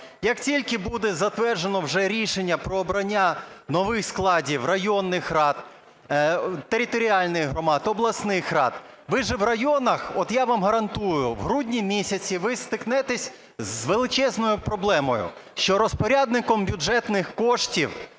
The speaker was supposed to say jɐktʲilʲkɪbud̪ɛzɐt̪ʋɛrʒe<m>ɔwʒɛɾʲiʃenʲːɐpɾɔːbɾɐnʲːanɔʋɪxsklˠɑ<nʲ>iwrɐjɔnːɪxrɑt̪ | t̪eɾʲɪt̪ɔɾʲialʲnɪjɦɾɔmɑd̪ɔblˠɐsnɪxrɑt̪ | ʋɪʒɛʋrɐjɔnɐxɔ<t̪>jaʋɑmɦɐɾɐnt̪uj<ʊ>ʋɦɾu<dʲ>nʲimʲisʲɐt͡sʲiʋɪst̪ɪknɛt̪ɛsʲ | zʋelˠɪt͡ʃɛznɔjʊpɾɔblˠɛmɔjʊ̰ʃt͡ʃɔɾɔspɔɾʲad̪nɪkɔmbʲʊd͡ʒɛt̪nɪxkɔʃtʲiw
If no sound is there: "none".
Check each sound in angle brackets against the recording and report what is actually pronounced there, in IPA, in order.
n, dʲ, t̪, ʊ, dʲ

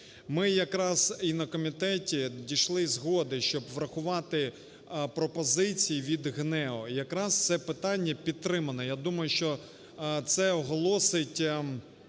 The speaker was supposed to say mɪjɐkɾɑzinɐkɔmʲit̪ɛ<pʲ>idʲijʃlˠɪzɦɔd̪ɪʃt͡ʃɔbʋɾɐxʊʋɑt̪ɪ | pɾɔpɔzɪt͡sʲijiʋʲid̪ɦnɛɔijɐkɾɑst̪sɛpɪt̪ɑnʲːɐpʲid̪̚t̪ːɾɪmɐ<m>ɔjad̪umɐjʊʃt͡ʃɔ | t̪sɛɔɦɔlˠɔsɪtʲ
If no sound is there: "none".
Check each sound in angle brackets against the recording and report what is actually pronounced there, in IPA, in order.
tʲ, n

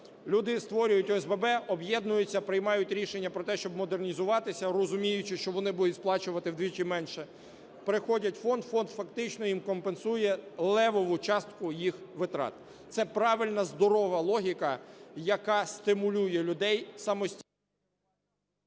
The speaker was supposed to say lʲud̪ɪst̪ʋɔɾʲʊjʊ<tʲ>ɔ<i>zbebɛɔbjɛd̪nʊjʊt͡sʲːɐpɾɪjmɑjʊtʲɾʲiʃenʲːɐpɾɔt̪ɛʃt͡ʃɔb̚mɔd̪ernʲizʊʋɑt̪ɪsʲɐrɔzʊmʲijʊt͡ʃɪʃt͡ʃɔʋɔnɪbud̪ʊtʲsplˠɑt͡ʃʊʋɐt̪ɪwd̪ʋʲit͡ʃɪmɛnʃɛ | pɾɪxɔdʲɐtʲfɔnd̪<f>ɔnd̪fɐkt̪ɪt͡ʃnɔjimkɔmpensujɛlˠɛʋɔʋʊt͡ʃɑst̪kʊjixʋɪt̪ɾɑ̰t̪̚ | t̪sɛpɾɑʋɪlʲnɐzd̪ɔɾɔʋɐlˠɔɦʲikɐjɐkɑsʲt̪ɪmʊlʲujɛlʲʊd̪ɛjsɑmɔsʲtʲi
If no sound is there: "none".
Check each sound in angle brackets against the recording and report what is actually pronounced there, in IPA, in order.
tʲ, ɛ, f

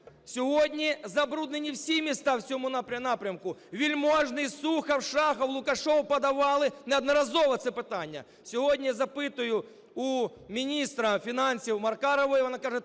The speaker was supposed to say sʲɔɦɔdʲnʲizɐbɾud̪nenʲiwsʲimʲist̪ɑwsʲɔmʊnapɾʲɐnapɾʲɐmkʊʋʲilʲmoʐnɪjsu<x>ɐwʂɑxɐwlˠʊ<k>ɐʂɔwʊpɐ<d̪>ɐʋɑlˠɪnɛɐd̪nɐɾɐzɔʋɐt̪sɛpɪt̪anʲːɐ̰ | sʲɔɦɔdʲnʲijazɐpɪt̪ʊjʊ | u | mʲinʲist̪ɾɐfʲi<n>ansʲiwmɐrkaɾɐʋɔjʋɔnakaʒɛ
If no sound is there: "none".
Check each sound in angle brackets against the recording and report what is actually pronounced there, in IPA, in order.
x, k, d̪, n

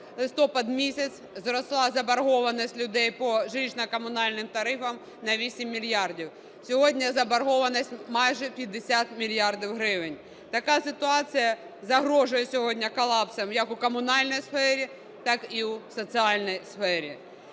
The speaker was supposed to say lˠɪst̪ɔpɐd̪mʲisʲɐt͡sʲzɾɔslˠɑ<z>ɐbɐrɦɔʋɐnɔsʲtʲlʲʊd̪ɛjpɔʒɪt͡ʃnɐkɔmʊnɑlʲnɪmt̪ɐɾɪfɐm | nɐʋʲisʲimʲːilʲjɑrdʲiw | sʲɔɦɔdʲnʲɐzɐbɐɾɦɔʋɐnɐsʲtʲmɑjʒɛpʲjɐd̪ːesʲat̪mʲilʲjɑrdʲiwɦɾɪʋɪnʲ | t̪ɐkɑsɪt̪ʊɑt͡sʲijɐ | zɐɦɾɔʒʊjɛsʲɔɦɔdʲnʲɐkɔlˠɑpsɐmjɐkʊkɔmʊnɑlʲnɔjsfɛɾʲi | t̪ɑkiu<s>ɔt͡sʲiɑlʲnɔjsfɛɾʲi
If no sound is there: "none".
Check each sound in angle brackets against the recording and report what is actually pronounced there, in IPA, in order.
z, s

